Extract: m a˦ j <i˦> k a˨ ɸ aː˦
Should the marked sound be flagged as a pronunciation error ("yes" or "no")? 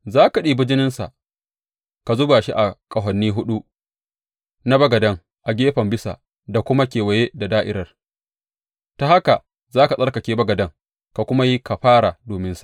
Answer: no